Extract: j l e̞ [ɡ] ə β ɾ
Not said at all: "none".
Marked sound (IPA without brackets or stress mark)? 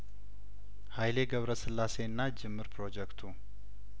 ɡ